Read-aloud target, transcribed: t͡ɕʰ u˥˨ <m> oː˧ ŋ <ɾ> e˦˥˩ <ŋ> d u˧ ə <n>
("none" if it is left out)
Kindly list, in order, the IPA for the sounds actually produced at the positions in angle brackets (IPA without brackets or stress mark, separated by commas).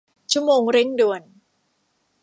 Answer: m, ɾ, ŋ, n